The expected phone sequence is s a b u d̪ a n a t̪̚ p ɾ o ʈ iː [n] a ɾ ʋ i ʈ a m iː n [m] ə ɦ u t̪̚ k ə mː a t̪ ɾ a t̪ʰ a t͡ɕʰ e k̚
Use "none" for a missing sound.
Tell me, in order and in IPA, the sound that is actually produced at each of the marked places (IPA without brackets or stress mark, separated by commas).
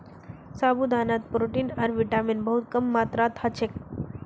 n, b